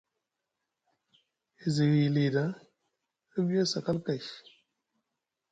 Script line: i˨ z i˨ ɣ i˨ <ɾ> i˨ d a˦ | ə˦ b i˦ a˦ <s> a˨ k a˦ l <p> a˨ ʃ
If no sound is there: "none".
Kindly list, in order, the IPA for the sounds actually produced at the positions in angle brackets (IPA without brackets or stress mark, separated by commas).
l, s, k